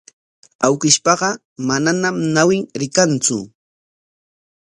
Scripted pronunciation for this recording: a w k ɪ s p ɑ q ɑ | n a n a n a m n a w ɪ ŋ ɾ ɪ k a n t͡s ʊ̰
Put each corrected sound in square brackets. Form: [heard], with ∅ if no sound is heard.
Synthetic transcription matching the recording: a w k ɪ [ʃ] p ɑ [ɢ] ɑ | [m] a n a n a m n a w ɪ ŋ ɾ ɪ k a n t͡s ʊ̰